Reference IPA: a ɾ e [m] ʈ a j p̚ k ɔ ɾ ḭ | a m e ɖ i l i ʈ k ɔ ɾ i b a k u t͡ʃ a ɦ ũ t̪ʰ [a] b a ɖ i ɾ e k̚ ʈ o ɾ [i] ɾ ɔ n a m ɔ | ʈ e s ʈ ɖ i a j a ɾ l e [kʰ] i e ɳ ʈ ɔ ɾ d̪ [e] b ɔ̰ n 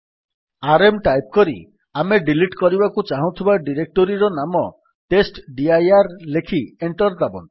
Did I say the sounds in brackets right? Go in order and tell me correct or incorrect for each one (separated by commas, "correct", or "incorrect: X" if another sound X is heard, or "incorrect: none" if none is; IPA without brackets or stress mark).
correct, incorrect: i, correct, correct, incorrect: a